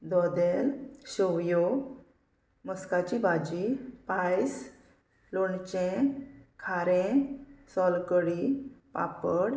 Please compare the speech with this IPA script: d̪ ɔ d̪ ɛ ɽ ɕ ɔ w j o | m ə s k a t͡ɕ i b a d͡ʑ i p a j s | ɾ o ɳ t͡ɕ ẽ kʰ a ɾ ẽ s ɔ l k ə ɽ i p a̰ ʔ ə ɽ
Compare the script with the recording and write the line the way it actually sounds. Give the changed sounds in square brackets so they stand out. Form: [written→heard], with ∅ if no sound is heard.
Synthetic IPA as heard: d̪ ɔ d̪ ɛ [ɽ→l] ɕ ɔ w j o | m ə s k a t͡ɕ i b a d͡ʑ i p a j s | [ɾ→l] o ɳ t͡ɕ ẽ kʰ a ɾ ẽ s ɔ l k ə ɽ i p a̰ [ʔ→p] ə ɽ